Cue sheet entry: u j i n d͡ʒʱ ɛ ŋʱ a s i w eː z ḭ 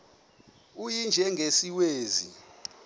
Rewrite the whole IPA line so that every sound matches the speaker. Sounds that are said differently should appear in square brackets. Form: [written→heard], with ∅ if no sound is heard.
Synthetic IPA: u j i n d͡ʒʱ ɛ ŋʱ [a→e] s i w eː z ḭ

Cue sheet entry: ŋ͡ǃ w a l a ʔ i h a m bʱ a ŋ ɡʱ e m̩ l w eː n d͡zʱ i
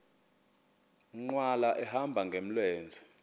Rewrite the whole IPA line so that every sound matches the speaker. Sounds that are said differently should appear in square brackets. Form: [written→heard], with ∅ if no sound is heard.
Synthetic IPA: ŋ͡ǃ w a l a ʔ [i→ɛ] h a m bʱ a ŋ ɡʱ e m̩ l w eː n d͡zʱ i

